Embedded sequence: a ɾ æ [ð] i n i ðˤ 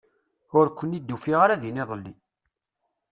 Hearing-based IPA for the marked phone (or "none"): ð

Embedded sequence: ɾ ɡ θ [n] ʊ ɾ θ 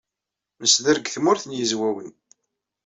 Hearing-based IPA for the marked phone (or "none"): m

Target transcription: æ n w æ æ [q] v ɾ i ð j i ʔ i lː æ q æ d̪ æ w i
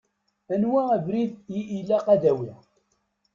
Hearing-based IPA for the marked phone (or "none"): none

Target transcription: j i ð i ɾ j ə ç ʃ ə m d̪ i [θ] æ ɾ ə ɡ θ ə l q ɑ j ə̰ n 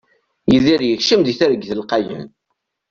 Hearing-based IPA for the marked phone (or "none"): θ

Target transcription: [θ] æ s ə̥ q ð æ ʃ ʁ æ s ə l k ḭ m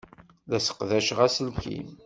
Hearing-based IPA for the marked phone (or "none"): ð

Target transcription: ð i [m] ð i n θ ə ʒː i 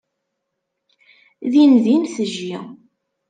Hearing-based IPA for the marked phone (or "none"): n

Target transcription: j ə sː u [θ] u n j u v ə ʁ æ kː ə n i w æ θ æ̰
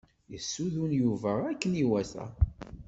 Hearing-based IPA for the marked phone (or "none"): ð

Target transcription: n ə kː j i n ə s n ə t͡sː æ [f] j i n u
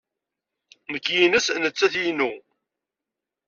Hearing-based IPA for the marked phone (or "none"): θ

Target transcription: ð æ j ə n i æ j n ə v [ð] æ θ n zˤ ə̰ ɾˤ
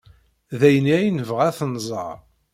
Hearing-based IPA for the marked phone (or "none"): ʁ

